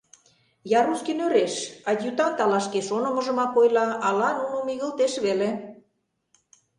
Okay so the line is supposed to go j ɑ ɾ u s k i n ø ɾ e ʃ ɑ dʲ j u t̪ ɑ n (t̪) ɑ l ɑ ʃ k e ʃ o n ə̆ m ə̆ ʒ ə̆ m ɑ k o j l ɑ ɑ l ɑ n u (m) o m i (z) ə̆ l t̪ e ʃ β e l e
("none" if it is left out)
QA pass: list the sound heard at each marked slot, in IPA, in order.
t̪, n, ɣ

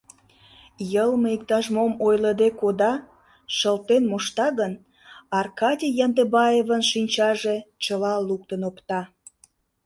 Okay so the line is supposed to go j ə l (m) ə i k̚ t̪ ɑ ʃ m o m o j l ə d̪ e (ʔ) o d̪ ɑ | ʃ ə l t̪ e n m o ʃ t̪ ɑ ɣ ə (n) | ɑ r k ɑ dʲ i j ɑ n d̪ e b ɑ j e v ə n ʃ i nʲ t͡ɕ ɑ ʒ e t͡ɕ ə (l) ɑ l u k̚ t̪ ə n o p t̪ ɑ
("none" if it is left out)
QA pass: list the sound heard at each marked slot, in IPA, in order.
m, k, n, l

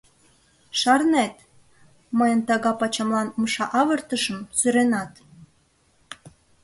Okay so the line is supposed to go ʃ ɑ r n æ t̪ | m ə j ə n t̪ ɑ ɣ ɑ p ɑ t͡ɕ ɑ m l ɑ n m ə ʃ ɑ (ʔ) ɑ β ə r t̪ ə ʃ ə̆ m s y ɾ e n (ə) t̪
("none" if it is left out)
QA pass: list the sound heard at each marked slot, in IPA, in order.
ʔ, ɑ

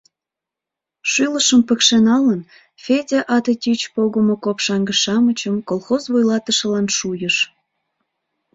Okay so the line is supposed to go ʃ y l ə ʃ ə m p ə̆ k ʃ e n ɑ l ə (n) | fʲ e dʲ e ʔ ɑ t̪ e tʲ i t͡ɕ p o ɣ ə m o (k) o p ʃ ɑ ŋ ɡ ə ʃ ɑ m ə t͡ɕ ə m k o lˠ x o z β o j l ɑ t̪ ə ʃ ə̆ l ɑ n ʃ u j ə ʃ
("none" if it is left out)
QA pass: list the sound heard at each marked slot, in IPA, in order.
n, k

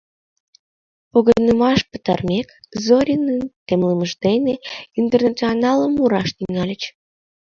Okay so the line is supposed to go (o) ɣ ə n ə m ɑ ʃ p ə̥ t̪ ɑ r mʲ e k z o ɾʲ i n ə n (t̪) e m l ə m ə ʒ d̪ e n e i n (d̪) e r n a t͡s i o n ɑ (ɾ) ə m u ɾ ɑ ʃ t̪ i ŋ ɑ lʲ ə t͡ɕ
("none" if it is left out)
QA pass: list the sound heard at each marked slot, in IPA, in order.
o, t̪, t̪, l

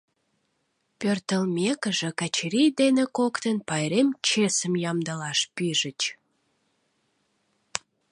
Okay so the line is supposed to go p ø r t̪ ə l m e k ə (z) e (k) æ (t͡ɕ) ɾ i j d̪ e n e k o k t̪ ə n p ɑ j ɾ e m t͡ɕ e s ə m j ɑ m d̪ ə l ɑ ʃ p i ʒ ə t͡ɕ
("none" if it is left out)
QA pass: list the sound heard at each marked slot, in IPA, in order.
ʒ, k, t͡ɕ

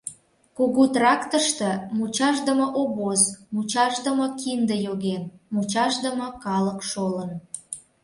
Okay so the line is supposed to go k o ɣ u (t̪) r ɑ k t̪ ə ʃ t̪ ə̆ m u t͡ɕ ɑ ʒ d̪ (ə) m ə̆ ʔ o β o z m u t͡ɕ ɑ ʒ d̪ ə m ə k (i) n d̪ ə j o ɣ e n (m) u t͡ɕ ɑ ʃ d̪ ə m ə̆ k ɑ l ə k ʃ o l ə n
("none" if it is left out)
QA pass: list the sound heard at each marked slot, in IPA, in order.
t̪, ə, i, m

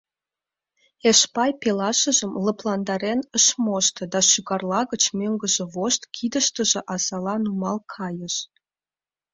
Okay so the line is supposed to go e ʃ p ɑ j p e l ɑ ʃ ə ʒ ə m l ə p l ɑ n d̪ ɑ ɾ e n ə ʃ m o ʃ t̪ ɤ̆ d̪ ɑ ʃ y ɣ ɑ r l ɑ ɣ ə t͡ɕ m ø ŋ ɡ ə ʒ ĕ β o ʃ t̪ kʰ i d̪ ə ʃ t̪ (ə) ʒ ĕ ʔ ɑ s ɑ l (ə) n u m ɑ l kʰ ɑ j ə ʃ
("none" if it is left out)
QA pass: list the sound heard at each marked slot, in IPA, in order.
ə, ɑ

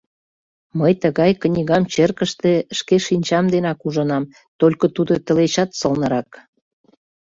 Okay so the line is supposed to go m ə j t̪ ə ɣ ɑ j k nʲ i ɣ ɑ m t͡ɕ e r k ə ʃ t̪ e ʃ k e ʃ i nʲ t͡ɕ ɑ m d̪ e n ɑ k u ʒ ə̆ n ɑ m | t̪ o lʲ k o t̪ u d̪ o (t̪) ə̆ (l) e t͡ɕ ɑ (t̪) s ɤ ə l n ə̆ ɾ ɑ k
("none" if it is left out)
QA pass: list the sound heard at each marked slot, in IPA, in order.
t̪, l, t̪

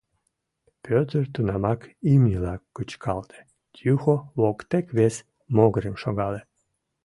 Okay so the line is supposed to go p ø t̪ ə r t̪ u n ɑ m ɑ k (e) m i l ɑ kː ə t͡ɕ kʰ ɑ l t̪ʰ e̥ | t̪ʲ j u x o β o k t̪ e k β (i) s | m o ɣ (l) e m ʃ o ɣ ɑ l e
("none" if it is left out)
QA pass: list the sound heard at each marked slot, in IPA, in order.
i, e, ɾ

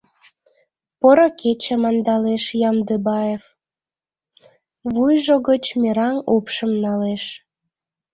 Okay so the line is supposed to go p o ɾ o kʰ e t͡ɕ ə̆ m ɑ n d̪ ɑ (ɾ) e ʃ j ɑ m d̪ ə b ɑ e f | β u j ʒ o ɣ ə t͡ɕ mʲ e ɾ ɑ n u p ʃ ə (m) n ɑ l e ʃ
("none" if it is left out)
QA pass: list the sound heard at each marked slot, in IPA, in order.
l, m

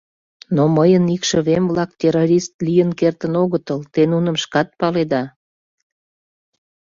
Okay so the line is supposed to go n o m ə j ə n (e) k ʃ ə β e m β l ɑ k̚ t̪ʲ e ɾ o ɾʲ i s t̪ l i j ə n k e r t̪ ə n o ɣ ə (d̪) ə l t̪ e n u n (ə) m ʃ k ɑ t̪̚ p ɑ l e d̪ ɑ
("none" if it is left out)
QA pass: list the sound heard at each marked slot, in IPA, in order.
i, t̪, ə

